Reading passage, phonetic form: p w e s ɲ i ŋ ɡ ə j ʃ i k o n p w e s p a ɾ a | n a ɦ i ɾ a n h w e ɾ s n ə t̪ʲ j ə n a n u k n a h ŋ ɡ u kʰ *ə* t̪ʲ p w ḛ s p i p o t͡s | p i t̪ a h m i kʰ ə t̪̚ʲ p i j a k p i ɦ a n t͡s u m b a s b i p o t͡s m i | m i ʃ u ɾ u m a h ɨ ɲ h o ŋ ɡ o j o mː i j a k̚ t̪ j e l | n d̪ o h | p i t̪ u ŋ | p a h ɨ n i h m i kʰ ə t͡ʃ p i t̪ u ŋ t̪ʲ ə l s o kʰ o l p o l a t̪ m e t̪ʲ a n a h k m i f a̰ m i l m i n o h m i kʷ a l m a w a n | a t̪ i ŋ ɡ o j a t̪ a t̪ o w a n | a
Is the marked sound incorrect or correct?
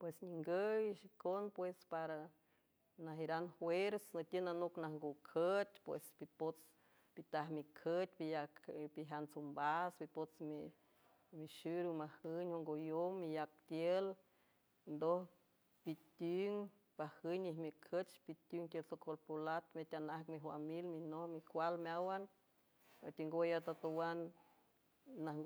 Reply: correct